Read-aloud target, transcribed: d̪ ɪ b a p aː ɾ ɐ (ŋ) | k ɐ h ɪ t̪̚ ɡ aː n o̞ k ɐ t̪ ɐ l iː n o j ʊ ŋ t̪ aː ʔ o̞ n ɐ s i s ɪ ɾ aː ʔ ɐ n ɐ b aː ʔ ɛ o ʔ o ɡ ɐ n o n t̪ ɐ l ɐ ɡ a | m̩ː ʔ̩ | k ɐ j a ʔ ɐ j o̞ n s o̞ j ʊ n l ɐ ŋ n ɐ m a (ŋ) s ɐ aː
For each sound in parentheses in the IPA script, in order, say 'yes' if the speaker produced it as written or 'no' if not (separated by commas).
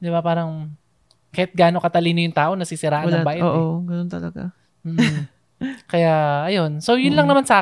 yes, no